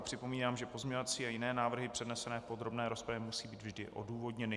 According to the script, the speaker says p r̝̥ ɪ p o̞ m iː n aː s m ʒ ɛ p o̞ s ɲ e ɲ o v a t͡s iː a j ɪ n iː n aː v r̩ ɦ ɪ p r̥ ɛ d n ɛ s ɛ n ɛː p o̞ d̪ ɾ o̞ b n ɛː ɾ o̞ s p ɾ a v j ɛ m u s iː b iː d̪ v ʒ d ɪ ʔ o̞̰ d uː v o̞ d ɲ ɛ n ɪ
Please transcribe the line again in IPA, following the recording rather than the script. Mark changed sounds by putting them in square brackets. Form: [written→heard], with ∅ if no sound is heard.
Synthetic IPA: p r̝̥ ɪ p o̞ m iː n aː [s→∅] m ʒ ɛ p o̞ [s→z] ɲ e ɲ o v a t͡s iː a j ɪ n [iː→ɛː] n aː v r̩ ɦ ɪ p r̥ ɛ d n ɛ s ɛ n ɛː p o̞ d̪ ɾ o̞ b n ɛː ɾ o̞ s p ɾ a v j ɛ m u s iː b iː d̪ v ʒ d ɪ ʔ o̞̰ d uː v o̞ d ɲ ɛ n ɪ